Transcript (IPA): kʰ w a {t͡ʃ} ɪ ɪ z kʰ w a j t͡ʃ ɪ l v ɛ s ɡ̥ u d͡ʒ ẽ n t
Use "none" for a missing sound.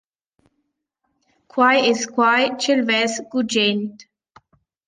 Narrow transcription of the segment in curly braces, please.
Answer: none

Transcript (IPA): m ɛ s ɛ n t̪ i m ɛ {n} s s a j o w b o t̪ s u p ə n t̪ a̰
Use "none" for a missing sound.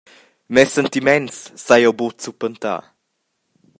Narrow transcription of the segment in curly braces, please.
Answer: n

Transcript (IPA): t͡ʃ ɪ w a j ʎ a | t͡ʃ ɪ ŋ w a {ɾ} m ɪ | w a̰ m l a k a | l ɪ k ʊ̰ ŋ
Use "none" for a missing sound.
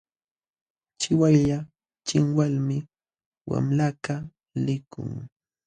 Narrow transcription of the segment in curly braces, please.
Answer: l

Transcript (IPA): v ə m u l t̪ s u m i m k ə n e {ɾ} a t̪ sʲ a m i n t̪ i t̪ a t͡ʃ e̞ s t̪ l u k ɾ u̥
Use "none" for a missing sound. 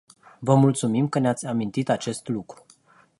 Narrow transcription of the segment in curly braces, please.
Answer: none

